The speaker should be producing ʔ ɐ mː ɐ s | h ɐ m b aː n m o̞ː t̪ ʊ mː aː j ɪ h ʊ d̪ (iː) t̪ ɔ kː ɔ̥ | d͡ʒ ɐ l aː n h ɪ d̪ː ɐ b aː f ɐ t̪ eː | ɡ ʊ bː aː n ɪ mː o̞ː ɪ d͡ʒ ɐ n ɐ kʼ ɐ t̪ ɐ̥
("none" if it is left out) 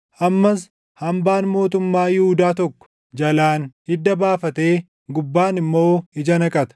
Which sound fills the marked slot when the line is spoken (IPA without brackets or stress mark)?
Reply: aː